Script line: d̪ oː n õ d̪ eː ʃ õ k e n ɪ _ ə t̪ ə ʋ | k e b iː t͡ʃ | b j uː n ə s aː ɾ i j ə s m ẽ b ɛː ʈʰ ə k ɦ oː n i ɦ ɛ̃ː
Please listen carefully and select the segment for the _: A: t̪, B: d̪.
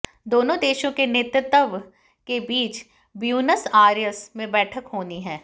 A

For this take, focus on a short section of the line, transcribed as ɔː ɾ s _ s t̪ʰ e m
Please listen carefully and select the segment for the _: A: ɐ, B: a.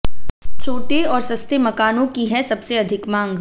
A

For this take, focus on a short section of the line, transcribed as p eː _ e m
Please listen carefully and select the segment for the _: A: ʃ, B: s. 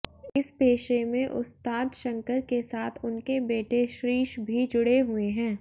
A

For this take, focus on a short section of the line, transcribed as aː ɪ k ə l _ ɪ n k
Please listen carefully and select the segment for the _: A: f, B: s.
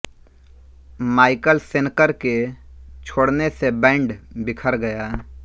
B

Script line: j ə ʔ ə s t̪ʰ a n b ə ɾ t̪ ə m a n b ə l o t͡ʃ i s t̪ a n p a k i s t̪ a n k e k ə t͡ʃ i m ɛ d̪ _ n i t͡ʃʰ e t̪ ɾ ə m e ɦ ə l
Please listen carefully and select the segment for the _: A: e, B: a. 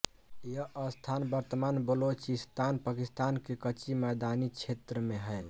B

